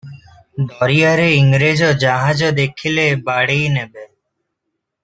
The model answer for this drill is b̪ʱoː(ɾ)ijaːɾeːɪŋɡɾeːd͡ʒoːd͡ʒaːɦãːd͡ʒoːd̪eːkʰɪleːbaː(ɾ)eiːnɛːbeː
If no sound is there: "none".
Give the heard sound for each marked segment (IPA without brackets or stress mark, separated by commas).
ɾ, ɽ